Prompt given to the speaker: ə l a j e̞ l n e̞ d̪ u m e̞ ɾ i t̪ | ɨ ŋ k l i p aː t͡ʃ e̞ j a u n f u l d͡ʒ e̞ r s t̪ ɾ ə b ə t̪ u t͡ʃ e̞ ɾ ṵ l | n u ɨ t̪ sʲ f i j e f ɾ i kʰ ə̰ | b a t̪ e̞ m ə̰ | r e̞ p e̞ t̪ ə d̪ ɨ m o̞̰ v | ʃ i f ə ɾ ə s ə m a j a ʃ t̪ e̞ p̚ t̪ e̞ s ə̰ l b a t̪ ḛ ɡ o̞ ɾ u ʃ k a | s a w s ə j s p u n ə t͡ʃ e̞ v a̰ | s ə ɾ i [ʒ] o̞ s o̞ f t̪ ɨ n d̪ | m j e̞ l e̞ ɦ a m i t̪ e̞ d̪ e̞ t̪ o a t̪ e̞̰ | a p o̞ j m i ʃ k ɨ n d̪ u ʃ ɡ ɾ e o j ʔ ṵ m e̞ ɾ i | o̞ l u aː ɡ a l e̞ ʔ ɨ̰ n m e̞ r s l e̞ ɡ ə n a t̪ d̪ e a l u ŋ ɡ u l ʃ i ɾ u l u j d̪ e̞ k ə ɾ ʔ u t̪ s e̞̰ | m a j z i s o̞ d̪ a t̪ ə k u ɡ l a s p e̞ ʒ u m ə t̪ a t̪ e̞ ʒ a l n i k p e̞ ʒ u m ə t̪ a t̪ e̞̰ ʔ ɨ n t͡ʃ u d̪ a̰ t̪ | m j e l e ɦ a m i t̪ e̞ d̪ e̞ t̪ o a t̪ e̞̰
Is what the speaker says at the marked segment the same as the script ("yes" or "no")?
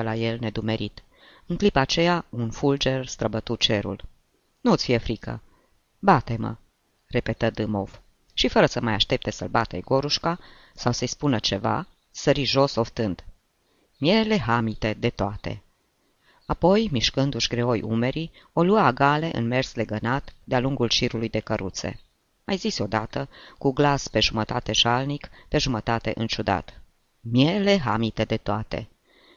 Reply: yes